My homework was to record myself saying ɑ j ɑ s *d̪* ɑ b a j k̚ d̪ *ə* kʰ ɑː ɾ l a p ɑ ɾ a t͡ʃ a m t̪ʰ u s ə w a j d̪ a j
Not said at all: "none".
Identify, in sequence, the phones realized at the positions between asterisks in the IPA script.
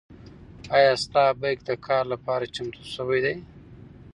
t̪, ə

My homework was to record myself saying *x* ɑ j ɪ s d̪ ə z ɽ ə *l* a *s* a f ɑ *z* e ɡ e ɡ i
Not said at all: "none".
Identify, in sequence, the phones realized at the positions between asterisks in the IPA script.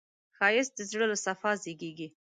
x, l, s, z

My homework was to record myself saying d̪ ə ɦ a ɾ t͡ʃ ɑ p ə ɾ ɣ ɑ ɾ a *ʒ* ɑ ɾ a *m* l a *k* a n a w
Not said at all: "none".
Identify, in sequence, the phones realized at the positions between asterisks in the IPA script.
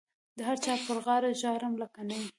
ʒ, m, k

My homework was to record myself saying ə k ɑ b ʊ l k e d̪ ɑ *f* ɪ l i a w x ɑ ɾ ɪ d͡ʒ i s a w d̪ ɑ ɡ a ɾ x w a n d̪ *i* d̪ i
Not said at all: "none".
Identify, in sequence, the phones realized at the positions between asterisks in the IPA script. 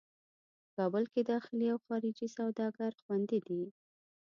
x, i

